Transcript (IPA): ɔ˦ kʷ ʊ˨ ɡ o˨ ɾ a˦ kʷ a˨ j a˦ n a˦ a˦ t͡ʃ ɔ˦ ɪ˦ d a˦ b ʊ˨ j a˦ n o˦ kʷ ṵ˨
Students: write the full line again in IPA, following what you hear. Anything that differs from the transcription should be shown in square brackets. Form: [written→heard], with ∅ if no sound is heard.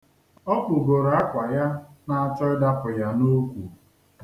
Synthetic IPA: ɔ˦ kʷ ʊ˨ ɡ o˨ ɾ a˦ kʷ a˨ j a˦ n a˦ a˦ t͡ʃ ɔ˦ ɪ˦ d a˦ [b→p] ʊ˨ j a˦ n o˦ kʷ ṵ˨